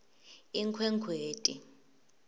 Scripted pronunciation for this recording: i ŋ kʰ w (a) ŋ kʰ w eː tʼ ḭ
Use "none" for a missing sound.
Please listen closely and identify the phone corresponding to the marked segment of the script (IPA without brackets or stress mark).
ɛ